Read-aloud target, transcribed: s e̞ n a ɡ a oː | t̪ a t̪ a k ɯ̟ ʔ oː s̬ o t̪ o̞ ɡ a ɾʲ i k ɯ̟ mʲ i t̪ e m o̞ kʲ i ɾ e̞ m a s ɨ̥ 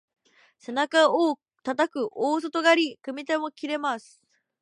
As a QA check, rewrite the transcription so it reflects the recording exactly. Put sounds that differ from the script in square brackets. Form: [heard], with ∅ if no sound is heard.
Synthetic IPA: s e̞ n a [k] a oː | t̪ a t̪ a k ɯ̟ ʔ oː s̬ o t̪ o̞ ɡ a ɾʲ i k ɯ̟ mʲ i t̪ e m o̞ kʲ i ɾ e̞ m a s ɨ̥